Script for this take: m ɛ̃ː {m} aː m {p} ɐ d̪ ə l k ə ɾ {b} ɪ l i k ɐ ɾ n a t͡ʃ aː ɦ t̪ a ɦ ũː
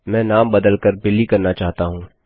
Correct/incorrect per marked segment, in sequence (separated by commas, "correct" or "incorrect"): incorrect, incorrect, correct